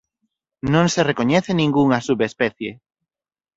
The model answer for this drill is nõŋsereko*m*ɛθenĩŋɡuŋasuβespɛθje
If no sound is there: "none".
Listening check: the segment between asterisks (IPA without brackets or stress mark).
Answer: ɲ